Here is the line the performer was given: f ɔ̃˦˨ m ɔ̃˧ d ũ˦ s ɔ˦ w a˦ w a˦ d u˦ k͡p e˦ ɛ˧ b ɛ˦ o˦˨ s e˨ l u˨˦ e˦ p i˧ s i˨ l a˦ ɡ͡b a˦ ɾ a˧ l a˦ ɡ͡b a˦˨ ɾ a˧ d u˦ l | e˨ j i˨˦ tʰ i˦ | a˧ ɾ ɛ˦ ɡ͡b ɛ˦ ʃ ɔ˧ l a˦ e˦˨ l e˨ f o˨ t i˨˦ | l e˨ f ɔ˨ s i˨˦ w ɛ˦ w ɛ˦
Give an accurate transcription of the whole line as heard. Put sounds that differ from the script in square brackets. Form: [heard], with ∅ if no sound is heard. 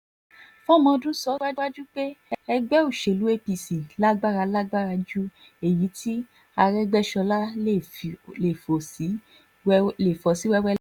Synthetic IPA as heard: f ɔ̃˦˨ m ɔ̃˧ d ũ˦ s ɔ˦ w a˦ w a˦ [d͡ʒ] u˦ k͡p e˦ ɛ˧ [ɡ͡b] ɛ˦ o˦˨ [ʃ] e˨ l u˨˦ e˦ p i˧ s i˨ l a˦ ɡ͡b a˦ ɾ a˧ l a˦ ɡ͡b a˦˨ ɾ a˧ [d͡ʒ] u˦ [∅] | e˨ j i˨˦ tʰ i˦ | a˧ ɾ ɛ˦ ɡ͡b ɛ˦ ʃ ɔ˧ l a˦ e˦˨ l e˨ f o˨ [s] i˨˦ | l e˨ f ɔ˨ s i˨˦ w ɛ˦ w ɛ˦